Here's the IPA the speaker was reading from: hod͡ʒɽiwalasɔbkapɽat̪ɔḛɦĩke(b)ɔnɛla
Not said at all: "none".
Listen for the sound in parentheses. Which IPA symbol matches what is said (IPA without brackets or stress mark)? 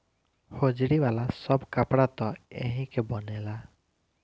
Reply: b